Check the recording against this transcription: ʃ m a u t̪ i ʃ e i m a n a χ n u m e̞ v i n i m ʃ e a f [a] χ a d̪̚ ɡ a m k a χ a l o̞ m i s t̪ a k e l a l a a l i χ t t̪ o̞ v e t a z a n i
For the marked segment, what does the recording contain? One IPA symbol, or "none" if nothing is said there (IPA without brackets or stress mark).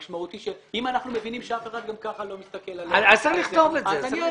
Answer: e